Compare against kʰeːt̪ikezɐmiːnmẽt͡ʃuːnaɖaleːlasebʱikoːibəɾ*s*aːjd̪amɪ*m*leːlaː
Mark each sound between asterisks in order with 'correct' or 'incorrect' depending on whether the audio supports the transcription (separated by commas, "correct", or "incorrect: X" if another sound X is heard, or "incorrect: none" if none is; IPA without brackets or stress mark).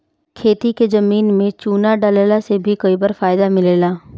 incorrect: f, incorrect: none